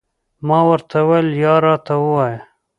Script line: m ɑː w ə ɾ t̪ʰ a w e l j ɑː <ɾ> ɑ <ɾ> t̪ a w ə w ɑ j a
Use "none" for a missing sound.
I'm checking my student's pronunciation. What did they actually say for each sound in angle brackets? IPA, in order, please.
ɾ, none

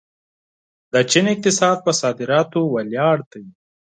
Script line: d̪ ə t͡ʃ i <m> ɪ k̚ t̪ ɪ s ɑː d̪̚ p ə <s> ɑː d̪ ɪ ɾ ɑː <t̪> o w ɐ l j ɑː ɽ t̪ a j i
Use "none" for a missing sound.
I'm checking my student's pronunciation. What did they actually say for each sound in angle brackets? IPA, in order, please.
n, s, t̪

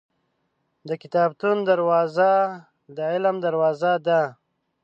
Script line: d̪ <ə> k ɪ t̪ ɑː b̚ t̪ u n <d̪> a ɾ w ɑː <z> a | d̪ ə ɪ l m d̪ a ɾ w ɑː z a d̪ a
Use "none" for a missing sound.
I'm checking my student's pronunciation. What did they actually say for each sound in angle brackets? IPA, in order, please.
ə, d̪, z

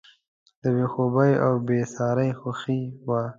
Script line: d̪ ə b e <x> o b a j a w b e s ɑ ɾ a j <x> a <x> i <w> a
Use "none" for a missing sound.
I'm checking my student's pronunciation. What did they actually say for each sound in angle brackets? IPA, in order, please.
x, x, x, w

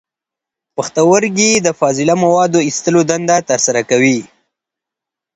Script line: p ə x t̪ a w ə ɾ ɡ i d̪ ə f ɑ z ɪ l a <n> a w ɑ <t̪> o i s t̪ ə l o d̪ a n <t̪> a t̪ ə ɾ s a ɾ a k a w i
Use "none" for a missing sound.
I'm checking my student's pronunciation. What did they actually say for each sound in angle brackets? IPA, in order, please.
m, d̪, d̪

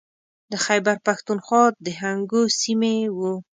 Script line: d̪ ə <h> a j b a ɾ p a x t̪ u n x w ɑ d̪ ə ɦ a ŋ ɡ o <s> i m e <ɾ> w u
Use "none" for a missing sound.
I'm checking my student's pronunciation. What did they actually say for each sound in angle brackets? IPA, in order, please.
x, s, none

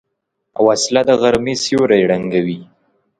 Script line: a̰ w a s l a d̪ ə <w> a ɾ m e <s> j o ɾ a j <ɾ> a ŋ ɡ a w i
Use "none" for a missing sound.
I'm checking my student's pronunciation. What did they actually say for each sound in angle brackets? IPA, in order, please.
ɣ, s, ɽ

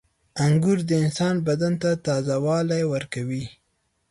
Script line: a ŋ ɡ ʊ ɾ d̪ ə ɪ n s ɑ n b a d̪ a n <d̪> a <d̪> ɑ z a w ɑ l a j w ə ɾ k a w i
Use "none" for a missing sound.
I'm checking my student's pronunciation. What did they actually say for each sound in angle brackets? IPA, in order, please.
t̪, t̪

